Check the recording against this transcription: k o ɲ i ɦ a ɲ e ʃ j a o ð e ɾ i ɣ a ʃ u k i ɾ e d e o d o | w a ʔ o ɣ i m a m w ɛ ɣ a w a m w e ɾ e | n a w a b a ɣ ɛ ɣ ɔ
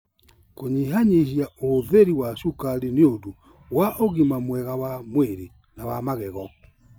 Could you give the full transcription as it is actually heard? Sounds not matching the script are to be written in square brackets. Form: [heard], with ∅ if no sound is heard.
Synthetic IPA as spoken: k o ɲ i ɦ a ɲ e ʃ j a o ð e ɾ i [w] a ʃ u k [a] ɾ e [n] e o d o | w a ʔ o ɣ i m a m w ɛ ɣ a w a m w e ɾ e | n a w a [m] a ɣ ɛ ɣ ɔ